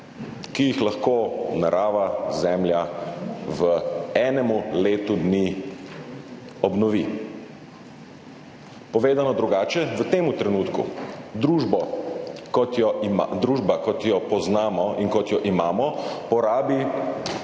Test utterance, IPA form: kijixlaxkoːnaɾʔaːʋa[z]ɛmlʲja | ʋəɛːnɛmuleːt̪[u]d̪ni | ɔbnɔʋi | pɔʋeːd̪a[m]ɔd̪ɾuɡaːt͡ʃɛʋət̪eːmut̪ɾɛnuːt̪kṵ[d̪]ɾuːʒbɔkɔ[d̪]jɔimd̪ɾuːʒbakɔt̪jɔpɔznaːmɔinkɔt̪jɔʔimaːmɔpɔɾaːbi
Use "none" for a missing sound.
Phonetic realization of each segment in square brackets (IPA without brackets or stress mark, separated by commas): z, u, n, d̪, t̪